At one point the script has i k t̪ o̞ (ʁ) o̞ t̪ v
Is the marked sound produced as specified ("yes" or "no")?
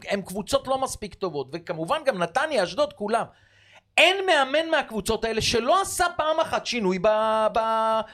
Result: no